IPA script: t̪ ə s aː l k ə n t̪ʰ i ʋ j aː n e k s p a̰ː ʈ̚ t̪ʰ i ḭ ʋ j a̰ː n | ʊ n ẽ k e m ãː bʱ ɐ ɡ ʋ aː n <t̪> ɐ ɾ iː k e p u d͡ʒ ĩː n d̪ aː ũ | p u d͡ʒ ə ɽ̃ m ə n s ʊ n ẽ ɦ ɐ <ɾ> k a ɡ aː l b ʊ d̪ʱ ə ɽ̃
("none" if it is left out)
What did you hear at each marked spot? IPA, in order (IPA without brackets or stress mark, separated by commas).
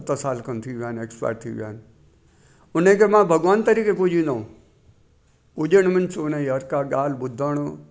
t̪, ɾ